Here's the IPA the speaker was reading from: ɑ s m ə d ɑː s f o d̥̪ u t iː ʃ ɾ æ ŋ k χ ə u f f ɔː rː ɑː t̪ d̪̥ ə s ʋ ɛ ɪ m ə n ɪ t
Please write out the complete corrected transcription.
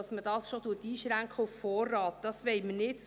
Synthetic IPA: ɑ s m ə d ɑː s ʃ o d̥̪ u t iː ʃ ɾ æ ŋ k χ ə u f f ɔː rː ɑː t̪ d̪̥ ɑ s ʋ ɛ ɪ m ə n ɪ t